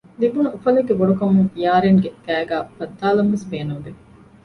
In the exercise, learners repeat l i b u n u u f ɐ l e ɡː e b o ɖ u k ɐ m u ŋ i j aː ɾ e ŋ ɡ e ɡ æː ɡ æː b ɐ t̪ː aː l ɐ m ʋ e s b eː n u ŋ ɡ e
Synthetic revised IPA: l i b u n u u f ɐ l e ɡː e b o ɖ u k ɐ m u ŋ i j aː ɾ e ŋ ɡ e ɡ æː ɡ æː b ɐ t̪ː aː l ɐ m ʋ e s b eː n u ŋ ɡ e